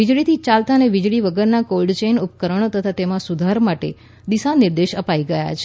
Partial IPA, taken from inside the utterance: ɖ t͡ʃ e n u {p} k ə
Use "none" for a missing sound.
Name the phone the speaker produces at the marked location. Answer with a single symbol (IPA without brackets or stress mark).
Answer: p